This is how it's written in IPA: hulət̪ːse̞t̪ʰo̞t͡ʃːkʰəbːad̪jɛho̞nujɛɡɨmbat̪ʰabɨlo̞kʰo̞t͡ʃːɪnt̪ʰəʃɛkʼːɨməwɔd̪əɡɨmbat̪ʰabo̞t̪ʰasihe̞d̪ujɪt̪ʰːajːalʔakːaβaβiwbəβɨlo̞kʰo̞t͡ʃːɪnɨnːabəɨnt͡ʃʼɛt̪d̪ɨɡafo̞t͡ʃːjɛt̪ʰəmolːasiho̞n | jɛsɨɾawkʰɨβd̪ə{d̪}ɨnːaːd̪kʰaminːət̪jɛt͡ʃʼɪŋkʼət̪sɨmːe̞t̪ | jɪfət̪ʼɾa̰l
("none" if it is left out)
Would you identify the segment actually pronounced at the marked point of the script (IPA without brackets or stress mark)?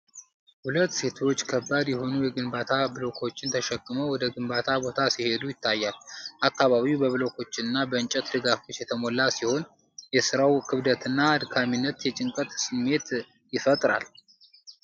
t̪